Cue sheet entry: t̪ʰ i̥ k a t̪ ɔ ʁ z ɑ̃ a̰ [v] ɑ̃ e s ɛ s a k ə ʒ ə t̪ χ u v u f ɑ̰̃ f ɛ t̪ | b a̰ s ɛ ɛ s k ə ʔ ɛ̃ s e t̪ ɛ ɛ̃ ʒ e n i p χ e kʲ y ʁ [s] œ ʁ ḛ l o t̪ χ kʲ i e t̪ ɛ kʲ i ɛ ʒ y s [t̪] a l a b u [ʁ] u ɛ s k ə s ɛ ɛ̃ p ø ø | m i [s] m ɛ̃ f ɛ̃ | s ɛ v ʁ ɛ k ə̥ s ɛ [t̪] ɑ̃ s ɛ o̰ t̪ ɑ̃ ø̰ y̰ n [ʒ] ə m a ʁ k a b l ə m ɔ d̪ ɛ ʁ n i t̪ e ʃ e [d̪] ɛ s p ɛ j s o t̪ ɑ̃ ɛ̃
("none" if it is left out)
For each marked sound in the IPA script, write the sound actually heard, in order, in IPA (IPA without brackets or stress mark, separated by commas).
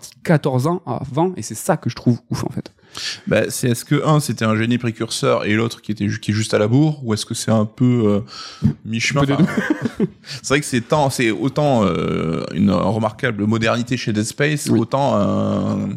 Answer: v, s, t̪, ʁ, ʃ, t̪, ʁ, d̪